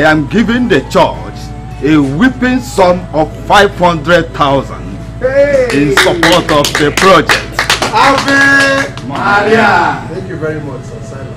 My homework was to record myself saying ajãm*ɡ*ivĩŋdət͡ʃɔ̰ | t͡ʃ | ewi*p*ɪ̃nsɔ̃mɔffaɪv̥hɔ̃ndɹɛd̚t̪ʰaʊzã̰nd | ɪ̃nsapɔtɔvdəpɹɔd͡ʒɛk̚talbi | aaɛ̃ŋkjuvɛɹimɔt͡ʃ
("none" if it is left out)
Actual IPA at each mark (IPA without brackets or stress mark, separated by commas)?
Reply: ɡ, p